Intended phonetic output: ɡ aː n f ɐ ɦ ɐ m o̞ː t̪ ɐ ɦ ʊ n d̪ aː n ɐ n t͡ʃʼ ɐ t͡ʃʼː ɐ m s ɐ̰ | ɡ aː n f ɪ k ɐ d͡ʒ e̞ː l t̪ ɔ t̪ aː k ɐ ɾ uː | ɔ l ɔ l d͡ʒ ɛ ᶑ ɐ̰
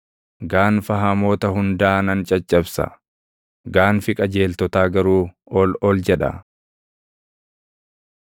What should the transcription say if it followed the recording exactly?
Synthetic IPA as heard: ɡ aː n f ɐ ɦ ɐ m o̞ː t̪ ɐ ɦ ʊ n d̪ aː n ɐ n t͡ʃʼ ɐ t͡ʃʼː ɐ b s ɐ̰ | ɡ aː n f ɪ kʼ ɐ d͡ʒ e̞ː l t̪ ɔ t̪ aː ɡ ɐ ɾ uː | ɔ l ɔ l d͡ʒ ɛ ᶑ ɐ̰